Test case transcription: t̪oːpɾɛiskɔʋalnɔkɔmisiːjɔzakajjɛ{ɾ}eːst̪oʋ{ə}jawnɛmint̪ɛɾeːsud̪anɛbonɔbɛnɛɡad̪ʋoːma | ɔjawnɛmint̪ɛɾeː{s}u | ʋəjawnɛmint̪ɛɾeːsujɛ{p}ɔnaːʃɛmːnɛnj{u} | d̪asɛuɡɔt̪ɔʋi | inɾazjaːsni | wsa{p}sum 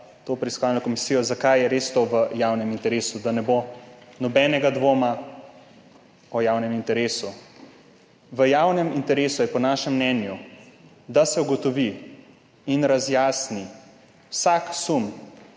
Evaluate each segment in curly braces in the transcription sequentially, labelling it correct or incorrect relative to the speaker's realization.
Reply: correct, correct, correct, correct, correct, incorrect: k

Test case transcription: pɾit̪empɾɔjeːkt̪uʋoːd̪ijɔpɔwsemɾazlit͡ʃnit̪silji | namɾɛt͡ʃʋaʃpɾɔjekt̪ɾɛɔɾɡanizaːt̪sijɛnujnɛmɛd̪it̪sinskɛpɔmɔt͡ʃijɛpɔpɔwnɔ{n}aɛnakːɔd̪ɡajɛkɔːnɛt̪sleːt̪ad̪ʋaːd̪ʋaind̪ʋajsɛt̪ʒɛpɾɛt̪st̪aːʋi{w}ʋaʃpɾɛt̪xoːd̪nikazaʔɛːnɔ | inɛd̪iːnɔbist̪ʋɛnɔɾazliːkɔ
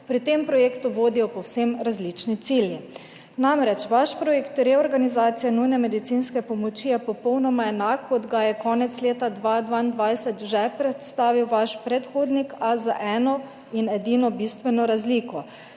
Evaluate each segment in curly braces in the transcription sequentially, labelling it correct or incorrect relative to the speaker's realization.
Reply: incorrect: m, correct

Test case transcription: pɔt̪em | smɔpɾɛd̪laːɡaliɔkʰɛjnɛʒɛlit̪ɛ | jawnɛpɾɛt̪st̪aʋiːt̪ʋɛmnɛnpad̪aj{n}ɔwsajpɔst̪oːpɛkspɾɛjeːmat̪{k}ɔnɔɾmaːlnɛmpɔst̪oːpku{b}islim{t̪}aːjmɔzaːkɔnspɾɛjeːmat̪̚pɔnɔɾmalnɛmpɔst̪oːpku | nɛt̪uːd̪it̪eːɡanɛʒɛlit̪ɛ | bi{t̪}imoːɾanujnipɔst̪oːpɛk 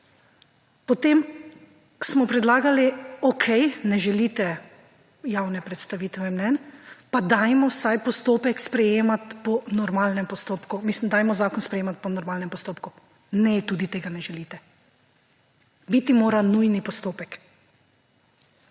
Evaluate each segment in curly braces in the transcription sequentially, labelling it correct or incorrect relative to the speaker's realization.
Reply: incorrect: m, incorrect: p, incorrect: m, incorrect: d̪, correct

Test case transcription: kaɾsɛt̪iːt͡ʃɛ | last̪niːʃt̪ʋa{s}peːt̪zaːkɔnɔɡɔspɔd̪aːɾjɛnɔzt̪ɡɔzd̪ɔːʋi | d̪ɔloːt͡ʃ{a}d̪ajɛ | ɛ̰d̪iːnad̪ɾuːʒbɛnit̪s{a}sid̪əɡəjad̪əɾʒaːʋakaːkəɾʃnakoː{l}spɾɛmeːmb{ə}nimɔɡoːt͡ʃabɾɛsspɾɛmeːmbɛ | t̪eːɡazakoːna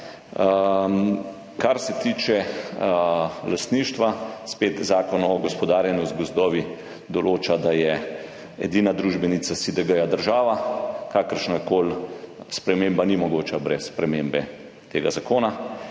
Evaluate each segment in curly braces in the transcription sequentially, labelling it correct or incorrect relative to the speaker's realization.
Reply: correct, correct, correct, correct, incorrect: a

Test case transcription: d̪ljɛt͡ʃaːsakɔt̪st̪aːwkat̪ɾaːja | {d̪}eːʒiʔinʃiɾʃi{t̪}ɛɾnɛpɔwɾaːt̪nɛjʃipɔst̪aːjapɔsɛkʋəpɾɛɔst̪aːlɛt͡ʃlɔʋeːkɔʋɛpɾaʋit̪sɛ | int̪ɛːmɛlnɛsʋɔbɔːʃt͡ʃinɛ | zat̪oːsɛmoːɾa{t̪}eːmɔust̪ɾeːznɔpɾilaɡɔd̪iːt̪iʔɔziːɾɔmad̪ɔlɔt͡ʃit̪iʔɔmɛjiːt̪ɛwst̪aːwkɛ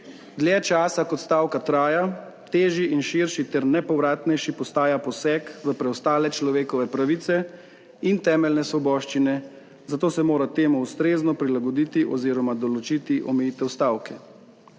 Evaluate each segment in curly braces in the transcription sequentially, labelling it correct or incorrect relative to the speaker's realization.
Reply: incorrect: t̪, correct, correct

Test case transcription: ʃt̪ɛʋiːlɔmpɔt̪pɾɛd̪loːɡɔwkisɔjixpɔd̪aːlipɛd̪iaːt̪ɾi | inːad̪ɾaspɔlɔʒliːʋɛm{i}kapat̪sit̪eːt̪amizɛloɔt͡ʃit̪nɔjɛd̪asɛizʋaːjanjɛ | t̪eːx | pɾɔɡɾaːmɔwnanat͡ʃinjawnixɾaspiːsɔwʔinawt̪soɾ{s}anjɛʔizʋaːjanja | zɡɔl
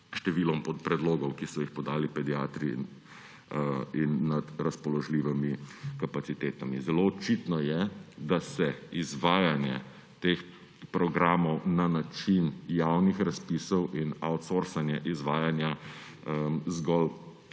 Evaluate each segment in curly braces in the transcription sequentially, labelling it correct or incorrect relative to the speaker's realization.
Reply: correct, correct

